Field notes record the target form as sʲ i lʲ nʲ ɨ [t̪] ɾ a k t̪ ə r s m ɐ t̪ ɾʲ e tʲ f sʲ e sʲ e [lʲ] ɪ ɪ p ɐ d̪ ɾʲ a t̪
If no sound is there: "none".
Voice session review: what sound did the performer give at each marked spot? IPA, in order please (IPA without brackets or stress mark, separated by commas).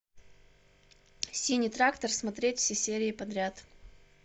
t̪, ɾʲ